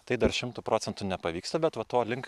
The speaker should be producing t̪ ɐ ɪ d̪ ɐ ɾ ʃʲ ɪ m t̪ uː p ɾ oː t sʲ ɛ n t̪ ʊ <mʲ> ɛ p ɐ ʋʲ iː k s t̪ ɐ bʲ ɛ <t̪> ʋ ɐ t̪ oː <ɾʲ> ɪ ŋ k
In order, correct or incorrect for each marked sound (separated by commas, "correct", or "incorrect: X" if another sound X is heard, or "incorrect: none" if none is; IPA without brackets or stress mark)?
incorrect: nʲ, correct, incorrect: lʲ